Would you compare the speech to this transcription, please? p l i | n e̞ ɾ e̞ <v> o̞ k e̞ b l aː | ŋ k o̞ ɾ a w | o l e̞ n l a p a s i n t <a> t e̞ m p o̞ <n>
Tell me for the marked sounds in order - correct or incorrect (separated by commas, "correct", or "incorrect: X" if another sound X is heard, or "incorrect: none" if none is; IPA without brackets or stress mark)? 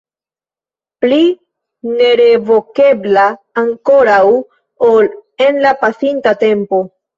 correct, correct, incorrect: none